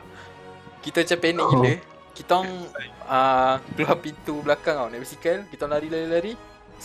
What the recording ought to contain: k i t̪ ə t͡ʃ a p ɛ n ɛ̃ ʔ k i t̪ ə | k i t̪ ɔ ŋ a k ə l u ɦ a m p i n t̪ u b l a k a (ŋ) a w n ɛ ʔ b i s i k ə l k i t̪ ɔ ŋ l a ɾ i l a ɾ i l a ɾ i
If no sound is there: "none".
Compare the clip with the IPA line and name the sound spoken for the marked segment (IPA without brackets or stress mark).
ŋ